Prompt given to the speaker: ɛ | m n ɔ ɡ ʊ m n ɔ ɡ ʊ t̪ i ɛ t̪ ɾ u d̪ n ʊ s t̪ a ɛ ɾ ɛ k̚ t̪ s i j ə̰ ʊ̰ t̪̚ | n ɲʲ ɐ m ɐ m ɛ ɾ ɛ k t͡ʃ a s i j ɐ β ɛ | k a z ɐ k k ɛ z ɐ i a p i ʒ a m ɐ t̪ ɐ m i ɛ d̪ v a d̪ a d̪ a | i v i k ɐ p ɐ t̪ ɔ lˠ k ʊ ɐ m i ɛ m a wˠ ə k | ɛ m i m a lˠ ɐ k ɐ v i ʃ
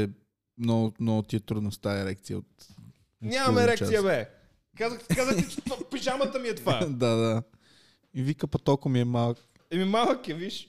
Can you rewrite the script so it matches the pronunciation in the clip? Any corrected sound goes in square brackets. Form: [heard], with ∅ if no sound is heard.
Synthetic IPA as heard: ɛ | m n ɔ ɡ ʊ m n ɔ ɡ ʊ t̪ i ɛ t̪ ɾ u d̪ n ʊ s t̪ a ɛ ɾ ɛ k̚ t̪ s i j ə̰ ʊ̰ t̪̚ | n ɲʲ [a] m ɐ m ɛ ɾ ɛ k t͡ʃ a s i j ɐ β ɛ | k a z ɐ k k [a] z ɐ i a p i ʒ a m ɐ t̪ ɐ m i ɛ [t̪] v a d̪ a d̪ a | i v i k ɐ p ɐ t̪ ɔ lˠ k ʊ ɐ m i ɛ m a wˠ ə k | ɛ m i m a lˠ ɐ k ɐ v i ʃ